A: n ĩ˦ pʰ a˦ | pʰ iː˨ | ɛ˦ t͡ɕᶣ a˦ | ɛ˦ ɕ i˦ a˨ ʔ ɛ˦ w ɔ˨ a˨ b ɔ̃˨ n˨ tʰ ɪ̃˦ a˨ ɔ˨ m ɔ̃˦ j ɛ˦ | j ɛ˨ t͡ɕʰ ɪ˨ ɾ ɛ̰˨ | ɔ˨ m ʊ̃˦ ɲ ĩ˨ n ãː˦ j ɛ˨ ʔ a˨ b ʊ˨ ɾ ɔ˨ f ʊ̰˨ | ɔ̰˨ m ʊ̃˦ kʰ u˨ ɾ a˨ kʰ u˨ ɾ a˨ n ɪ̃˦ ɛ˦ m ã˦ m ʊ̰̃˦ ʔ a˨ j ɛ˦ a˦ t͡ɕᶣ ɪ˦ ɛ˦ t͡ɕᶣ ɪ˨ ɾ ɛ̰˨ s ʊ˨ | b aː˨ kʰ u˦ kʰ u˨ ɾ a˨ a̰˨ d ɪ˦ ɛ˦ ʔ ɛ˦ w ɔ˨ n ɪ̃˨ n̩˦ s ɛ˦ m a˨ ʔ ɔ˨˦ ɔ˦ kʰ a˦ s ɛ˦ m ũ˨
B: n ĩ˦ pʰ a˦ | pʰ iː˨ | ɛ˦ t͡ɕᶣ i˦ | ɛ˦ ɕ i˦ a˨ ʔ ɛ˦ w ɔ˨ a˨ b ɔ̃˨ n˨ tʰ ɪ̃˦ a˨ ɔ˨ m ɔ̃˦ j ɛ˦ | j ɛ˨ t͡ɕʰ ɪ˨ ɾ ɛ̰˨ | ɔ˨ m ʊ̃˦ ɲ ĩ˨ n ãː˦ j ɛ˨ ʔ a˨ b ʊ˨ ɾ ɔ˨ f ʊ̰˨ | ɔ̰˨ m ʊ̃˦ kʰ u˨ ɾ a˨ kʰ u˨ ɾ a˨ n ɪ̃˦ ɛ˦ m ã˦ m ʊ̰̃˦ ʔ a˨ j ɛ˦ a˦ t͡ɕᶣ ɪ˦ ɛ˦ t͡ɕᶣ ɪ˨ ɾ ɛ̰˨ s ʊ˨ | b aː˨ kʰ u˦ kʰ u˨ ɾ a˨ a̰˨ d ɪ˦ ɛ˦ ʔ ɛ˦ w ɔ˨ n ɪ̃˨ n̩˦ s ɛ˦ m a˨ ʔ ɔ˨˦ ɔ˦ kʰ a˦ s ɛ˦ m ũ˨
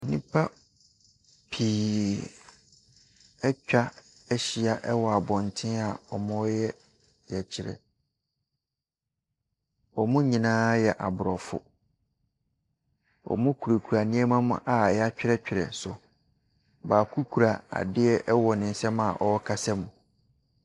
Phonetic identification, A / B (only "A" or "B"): A